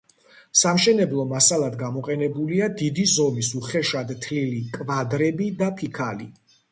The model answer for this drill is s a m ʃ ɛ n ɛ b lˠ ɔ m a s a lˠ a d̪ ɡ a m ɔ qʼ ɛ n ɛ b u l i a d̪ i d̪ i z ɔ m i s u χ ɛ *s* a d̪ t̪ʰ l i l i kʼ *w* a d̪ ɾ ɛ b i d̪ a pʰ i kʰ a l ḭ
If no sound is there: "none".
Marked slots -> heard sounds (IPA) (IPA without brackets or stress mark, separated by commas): ʃ, v